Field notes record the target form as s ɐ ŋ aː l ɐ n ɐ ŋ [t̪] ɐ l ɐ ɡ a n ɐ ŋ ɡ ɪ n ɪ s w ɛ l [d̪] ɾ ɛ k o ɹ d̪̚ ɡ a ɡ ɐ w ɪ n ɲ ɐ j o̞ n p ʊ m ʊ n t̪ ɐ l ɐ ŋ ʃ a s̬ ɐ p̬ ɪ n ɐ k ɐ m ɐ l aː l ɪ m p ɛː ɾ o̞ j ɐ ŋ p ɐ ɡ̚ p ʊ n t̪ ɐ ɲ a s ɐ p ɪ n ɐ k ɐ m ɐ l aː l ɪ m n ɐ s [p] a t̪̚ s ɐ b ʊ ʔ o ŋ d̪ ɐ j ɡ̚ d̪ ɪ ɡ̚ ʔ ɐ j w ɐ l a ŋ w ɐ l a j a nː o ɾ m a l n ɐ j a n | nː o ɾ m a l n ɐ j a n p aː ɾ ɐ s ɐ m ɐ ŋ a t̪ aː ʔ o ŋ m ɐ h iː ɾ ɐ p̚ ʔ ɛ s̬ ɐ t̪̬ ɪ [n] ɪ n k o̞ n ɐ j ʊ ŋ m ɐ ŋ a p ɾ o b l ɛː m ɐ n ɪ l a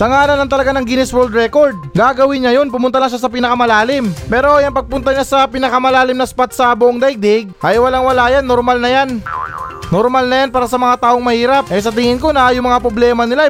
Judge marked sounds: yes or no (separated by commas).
yes, yes, yes, no